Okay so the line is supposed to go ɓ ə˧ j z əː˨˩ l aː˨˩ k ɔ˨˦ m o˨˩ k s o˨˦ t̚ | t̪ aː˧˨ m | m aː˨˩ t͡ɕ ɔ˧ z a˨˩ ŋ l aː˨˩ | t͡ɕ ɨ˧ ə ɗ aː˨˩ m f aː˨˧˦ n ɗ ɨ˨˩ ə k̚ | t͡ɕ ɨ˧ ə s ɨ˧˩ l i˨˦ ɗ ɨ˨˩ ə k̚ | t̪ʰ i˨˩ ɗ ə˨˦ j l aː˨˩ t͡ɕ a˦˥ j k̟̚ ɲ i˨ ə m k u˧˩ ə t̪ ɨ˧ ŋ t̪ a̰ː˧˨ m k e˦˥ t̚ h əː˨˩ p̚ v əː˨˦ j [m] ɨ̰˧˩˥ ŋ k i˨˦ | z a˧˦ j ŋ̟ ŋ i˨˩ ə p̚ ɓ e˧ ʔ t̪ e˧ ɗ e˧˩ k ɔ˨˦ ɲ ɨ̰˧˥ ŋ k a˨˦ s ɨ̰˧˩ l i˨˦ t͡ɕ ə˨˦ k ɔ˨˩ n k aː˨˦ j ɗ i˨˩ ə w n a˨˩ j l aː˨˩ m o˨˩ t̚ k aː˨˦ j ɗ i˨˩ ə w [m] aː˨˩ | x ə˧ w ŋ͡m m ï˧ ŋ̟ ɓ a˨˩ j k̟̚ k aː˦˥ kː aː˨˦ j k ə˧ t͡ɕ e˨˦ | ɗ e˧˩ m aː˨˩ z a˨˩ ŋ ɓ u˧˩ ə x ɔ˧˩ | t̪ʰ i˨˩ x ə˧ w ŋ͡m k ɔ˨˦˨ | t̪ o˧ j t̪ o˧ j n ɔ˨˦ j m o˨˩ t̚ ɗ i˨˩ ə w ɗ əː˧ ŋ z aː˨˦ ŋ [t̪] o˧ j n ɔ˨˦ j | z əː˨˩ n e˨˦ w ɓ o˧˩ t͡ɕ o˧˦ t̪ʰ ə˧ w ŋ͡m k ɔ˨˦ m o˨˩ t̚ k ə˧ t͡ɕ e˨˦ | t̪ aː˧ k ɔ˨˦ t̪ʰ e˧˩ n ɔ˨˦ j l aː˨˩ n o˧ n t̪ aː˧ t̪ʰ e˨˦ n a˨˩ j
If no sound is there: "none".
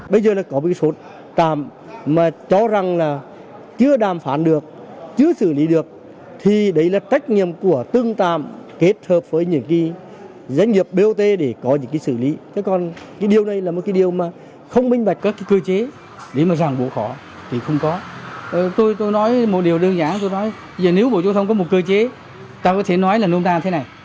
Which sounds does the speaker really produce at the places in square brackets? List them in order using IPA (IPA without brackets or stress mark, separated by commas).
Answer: ɲ, m, t̪